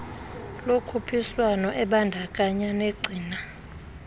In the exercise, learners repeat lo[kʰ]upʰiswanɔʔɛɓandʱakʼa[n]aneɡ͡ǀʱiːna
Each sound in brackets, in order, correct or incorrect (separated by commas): correct, incorrect